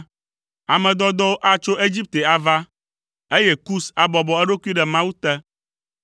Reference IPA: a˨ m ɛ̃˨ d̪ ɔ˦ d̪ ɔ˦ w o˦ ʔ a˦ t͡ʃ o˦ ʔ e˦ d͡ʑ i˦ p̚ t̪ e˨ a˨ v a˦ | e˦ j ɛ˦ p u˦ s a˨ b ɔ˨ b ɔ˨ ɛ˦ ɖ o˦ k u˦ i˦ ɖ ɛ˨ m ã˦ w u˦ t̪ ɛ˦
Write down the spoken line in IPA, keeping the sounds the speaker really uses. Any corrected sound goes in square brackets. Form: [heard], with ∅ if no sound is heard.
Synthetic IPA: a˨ m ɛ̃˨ d̪ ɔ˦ d̪ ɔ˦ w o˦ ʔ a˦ t͡ʃ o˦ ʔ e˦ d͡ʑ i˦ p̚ t̪ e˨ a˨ v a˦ | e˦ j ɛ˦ [k] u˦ s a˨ b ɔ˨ b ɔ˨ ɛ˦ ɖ o˦ k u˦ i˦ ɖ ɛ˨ m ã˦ w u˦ t̪ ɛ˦